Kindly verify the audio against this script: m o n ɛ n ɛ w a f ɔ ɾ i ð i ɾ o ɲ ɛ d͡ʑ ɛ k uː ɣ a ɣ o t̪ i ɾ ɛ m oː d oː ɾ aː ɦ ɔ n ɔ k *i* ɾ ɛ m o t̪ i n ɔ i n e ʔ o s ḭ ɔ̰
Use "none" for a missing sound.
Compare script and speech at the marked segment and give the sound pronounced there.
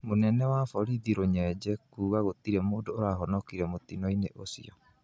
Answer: i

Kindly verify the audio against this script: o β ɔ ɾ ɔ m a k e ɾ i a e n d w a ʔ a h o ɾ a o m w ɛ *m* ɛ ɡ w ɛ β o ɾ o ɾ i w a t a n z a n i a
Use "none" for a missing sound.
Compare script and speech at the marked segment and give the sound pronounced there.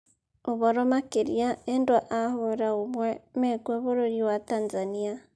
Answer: m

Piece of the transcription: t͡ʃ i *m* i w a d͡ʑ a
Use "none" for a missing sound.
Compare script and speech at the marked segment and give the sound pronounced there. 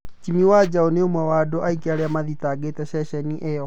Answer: m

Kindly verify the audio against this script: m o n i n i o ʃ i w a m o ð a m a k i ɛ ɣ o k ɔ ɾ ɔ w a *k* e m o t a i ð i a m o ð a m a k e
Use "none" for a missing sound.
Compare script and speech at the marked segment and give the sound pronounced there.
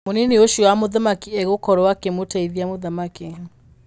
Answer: k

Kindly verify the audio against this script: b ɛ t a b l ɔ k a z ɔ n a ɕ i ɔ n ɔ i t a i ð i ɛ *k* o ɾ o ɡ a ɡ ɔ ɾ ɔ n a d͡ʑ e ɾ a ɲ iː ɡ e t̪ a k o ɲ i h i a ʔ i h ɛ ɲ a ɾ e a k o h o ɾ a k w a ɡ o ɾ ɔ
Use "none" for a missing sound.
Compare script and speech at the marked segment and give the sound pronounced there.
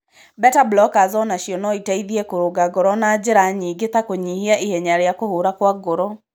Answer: k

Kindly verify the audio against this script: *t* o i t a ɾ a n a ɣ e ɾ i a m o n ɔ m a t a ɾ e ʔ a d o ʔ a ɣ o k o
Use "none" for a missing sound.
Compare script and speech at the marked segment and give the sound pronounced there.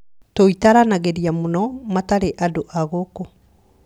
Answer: t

